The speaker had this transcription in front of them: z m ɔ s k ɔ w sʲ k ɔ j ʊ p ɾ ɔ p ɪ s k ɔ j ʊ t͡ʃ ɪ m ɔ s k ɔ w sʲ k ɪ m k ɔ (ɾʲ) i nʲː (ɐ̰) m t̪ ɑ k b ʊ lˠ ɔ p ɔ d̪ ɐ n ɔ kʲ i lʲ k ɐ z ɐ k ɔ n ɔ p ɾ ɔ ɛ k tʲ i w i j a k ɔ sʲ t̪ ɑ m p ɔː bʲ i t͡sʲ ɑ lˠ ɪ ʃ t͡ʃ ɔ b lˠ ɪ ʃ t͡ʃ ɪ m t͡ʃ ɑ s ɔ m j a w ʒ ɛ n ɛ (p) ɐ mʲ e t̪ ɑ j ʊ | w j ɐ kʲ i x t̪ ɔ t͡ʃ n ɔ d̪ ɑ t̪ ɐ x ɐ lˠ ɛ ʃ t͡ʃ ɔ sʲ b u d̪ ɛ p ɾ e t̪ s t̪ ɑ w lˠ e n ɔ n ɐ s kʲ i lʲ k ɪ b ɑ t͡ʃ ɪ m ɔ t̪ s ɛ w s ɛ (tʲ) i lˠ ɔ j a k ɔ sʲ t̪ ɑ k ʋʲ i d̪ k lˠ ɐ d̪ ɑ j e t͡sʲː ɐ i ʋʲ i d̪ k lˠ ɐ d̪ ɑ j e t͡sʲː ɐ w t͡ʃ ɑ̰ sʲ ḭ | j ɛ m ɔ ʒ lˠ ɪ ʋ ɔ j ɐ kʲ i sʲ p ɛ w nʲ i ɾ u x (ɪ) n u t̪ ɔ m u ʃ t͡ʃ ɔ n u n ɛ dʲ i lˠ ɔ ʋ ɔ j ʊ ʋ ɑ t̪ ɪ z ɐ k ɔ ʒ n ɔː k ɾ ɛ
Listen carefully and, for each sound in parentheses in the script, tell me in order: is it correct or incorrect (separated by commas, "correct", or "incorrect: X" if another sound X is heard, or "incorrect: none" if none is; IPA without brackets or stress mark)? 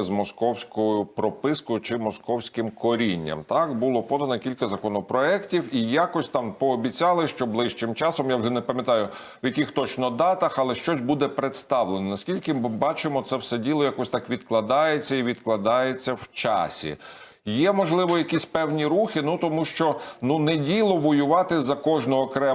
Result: correct, correct, correct, incorrect: dʲ, correct